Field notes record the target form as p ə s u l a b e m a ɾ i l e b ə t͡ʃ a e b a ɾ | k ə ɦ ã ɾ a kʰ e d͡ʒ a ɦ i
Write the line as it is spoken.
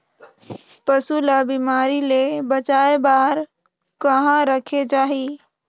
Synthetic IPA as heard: p ə s u l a b i m a ɾ i l e b ə t͡ʃ a e b a ɾ | k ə ɦ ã ɾ ə kʰ e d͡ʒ a ɦ i